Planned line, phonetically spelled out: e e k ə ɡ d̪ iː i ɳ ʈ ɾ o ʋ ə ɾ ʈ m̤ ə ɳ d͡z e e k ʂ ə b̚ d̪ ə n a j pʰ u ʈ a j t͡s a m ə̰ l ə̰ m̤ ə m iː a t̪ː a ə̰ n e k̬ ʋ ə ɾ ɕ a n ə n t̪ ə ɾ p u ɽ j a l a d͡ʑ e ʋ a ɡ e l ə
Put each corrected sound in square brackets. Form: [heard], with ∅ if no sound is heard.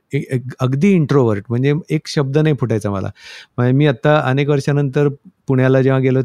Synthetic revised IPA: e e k ə ɡ d̪ iː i ɳ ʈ ɾ o ʋ ə ɾ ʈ m̤ ə ɳ d͡z e e k [ɕ] ə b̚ d̪ ə n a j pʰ u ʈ a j t͡s a m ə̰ l [a̰] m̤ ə m iː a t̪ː a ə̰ n e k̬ ʋ ə ɾ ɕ a n ə n t̪ ə ɾ p u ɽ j a l a d͡ʑ e ʋ a ɡ e l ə